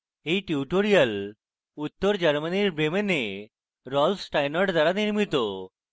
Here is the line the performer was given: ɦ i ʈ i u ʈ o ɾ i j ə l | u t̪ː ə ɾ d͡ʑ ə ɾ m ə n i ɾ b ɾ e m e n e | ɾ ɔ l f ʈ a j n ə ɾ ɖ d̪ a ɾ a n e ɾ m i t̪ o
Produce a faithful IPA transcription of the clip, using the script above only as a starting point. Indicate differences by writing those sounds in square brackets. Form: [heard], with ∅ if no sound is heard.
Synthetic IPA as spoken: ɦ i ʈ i u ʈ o ɾ i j ə l | u t̪ː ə ɾ d͡ʑ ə ɾ m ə n i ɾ b ɾ e m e n e | ɾ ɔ l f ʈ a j n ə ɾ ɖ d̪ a ɾ a n [i] ɾ m i t̪ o